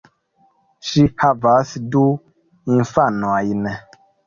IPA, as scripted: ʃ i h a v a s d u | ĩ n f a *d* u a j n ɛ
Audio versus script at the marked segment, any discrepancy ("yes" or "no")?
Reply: yes